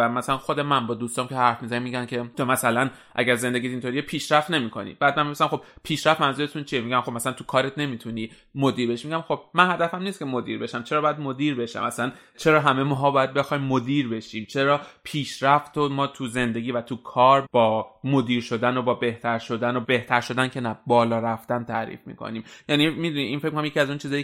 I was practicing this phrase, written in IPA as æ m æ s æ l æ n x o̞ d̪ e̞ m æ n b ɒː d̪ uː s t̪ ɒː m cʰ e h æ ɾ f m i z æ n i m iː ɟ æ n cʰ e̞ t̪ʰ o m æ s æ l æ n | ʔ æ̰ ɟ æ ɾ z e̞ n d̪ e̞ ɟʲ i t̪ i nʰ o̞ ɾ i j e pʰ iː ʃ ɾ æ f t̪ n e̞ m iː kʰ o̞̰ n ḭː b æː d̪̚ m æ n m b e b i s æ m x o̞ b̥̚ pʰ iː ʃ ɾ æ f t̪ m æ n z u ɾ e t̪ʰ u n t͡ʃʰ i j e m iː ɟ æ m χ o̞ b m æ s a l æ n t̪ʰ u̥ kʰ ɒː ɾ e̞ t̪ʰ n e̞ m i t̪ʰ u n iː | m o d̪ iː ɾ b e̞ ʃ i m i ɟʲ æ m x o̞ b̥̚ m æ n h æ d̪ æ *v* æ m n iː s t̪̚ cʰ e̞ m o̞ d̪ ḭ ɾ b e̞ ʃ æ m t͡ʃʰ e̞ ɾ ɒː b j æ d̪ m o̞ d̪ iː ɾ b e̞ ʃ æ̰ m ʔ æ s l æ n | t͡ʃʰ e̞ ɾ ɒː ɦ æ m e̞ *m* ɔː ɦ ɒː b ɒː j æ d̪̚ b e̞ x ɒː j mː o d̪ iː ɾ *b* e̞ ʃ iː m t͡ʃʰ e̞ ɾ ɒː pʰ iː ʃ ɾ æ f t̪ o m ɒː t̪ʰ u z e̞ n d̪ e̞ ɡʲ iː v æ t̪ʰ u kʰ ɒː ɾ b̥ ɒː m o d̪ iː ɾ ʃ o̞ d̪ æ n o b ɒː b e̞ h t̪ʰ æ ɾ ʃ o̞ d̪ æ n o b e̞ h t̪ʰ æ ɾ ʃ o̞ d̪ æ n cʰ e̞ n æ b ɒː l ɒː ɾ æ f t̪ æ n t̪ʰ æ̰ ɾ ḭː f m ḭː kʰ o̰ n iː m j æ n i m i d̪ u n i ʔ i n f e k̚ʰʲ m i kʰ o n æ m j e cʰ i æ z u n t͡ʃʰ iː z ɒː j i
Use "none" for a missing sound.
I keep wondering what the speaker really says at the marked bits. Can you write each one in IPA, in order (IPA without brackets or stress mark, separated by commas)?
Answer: f, m, b